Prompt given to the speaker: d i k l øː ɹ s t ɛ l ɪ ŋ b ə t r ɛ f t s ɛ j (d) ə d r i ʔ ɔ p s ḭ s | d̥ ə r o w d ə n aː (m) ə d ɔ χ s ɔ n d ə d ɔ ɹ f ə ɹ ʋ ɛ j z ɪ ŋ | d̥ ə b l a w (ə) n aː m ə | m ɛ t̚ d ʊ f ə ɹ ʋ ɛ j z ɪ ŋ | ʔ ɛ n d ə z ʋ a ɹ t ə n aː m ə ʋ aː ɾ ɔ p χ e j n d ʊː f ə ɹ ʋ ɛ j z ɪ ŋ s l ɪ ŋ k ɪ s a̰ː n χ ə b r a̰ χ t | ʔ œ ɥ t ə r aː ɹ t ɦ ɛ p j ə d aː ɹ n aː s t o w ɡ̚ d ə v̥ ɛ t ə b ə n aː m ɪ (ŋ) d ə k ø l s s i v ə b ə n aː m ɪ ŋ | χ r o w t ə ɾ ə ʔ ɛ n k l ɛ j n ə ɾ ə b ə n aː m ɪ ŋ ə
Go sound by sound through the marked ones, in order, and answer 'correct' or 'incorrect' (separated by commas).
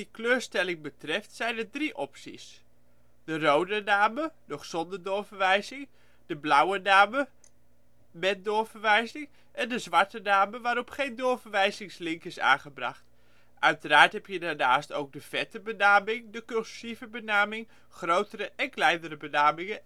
incorrect, correct, correct, correct